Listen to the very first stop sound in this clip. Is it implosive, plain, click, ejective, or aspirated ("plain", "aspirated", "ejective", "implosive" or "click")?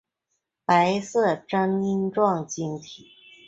plain